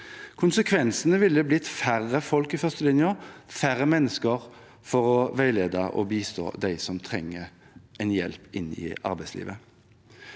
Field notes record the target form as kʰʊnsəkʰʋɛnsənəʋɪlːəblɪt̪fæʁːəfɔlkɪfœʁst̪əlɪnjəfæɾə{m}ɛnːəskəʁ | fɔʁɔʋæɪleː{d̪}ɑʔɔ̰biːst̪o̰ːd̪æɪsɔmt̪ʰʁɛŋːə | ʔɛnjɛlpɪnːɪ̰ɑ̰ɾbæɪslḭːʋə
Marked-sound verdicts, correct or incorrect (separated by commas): correct, correct